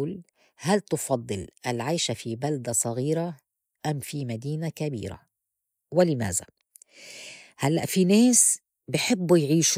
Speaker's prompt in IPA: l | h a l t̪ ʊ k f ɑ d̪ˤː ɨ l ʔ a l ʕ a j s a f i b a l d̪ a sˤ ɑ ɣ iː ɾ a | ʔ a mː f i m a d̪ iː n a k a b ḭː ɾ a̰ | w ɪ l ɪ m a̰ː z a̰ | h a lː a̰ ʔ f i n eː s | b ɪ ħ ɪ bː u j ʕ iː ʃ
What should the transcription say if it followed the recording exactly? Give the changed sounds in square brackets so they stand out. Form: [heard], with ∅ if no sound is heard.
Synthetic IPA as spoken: l | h a l t̪ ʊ [∅] f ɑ d̪ˤː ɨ l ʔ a l ʕ a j [ʃ] a f i b a l d̪ a sˤ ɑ ɣ iː ɾ a | ʔ a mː f i m a d̪ iː n a k a b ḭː ɾ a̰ | w ɪ l ɪ m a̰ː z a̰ | h a lː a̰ ʔ f i n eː s | b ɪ ħ ɪ bː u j ʕ iː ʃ